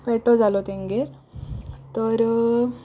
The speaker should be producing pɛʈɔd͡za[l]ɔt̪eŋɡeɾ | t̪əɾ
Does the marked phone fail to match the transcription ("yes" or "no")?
no